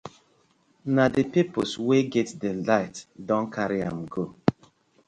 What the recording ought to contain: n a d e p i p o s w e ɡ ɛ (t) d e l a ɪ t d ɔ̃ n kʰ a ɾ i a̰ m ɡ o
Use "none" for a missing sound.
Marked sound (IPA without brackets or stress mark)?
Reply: t